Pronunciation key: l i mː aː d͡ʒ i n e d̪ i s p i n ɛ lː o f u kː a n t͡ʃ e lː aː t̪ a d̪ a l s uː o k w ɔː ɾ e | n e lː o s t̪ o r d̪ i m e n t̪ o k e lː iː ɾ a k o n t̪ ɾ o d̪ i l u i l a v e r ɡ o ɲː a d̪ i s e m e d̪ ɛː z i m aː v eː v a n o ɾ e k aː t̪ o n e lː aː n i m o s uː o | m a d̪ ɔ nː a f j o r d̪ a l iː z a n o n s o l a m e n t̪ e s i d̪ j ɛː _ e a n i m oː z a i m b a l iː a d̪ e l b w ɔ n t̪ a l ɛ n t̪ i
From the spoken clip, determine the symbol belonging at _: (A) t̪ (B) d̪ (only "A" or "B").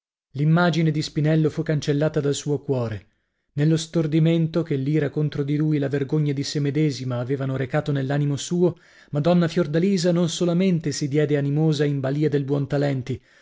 B